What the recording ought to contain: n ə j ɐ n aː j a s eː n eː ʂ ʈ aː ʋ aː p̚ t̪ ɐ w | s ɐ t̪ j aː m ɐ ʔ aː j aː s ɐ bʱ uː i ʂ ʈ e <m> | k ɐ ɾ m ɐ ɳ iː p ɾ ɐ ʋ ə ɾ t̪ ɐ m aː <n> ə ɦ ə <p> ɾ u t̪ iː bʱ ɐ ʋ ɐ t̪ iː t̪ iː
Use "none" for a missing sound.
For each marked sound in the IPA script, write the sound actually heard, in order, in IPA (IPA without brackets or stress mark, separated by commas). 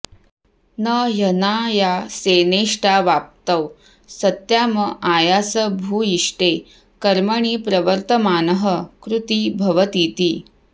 none, n, k